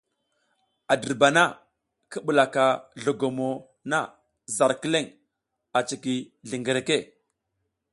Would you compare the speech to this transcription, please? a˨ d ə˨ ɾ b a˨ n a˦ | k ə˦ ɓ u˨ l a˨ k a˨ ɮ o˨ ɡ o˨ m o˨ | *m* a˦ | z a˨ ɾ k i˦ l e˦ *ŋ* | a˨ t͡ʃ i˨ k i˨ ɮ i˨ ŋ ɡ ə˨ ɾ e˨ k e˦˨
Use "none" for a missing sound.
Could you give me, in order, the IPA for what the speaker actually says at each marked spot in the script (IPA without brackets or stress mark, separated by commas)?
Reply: n, ŋ